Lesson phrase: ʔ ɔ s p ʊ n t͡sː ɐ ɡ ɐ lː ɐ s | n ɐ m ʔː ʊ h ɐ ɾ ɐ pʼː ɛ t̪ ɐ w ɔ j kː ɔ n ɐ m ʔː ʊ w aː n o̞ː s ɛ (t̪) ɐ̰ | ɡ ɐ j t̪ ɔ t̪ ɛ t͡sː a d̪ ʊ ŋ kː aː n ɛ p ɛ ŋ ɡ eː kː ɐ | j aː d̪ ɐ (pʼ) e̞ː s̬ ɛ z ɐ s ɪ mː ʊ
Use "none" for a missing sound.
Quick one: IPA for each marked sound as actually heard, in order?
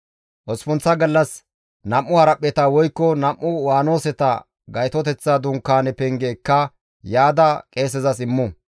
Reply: t̪, kʼ

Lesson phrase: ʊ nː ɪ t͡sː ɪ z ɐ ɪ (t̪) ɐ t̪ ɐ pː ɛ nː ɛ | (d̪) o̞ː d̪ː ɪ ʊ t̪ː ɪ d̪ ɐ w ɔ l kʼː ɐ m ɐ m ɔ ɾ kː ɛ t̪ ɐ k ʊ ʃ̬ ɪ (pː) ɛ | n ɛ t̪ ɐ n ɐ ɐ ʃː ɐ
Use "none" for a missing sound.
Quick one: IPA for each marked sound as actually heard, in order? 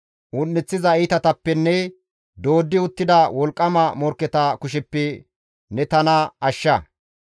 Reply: t̪, d̪, pː

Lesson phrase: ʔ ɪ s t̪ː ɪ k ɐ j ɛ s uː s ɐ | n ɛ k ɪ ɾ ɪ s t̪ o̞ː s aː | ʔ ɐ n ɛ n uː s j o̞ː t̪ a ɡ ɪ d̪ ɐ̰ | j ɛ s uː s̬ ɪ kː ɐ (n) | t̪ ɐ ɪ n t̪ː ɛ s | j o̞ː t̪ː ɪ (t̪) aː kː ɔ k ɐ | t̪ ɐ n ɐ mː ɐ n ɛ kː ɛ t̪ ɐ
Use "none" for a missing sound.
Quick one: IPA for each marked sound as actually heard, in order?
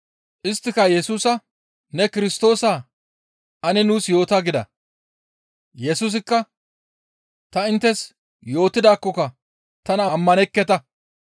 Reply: none, d̪

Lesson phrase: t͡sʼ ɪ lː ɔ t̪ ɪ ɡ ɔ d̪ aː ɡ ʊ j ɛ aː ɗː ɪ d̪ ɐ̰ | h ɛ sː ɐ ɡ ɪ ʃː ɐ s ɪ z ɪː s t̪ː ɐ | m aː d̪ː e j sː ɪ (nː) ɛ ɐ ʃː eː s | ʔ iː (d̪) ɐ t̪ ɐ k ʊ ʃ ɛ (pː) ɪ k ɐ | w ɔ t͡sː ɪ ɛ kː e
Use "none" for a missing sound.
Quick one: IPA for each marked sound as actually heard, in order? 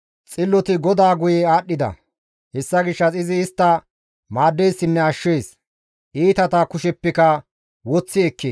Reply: nː, t̪, pː

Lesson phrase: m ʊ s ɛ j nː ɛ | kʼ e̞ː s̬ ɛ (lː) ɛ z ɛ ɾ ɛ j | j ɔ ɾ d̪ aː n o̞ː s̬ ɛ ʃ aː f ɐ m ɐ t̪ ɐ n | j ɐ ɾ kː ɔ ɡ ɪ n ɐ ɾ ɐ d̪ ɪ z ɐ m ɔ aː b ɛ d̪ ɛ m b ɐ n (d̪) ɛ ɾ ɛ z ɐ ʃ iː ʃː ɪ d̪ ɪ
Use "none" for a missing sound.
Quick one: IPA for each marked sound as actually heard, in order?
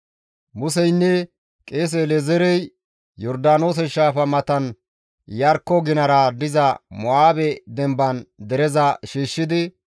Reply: l, d̪

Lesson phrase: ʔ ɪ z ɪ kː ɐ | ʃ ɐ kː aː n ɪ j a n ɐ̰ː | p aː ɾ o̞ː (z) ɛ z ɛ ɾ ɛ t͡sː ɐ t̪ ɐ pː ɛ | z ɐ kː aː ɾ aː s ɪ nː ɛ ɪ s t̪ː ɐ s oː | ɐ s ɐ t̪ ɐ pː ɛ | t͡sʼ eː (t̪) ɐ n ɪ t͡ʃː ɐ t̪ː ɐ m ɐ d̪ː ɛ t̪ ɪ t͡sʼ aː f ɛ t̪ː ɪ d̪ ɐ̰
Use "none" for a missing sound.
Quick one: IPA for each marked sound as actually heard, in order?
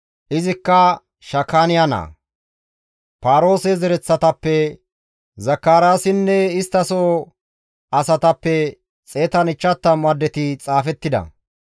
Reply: s, t̪

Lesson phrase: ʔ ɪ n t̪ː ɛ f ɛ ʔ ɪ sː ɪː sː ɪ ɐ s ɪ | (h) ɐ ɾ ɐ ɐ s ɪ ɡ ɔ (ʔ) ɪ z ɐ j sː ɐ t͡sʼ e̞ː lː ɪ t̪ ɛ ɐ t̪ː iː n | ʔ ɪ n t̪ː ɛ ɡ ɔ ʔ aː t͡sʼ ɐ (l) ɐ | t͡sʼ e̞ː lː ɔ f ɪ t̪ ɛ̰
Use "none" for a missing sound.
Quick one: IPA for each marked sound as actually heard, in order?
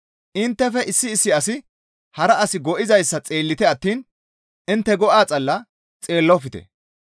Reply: h, ʔ, lː

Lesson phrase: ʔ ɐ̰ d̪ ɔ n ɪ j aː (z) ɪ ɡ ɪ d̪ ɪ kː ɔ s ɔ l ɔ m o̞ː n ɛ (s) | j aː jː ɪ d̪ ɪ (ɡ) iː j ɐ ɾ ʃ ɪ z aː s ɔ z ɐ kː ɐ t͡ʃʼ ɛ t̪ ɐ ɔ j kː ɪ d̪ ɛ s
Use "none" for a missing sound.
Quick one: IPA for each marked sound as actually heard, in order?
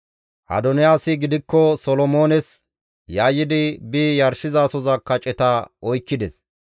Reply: s, s, b

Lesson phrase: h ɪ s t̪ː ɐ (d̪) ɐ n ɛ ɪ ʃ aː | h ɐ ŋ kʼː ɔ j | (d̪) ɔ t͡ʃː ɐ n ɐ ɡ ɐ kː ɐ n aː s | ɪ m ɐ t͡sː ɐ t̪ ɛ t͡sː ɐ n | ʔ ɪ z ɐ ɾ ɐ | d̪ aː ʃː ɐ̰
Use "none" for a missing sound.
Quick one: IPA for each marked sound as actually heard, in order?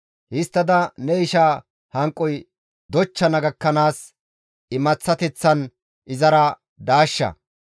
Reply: d̪, d̪

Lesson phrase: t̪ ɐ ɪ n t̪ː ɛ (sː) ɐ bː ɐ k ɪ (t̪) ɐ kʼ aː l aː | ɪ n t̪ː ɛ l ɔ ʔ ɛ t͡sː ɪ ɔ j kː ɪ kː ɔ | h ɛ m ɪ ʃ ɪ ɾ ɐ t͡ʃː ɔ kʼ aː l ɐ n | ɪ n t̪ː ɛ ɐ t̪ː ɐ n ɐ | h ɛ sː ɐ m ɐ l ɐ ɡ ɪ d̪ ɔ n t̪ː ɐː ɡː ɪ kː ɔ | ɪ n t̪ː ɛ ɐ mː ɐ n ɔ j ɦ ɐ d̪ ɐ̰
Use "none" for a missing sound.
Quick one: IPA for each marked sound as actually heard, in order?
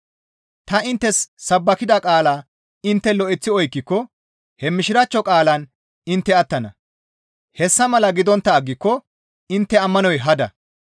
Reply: sː, d̪

